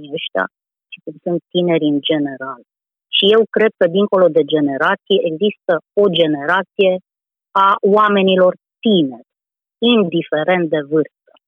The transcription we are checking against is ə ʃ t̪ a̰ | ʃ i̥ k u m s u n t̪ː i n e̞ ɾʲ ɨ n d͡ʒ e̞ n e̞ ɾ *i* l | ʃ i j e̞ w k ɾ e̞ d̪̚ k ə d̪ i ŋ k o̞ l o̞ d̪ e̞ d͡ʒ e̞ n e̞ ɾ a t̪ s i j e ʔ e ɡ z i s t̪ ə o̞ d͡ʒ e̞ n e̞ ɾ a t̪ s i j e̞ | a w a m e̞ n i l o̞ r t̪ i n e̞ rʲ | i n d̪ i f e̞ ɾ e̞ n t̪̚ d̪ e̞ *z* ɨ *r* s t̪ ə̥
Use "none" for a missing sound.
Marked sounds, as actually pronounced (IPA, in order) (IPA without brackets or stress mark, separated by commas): a, v, r